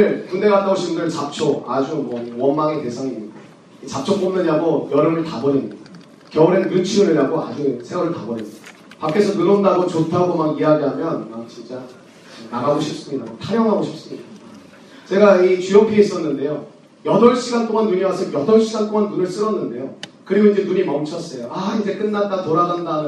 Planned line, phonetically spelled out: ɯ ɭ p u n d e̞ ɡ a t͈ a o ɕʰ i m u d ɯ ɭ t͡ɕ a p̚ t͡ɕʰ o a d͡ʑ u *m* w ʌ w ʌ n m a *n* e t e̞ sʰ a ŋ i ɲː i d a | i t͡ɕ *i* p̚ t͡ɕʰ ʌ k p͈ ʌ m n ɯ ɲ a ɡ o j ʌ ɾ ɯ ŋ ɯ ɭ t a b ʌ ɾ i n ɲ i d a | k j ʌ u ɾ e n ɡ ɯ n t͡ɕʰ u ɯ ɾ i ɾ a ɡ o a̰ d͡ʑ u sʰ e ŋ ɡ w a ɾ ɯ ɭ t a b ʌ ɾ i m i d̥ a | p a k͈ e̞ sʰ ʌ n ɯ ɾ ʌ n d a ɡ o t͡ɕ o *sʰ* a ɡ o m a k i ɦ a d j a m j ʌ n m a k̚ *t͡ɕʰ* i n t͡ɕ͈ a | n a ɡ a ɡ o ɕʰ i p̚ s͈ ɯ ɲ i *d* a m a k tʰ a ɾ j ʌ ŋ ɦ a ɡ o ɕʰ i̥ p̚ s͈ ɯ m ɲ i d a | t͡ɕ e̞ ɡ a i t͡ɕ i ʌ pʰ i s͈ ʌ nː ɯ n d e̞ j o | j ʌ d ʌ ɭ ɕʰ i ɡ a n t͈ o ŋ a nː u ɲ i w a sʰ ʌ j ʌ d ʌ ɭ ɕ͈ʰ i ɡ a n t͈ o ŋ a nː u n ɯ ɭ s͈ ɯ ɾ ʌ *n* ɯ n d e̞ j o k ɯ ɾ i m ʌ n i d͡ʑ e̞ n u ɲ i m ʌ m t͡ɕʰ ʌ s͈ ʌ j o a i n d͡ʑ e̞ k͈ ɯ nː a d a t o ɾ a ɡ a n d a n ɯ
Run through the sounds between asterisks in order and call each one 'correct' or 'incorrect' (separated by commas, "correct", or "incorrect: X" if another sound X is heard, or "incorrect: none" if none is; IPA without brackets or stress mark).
correct, incorrect: ŋ, incorrect: a, incorrect: tʰ, incorrect: t͡ɕ, correct, incorrect: nː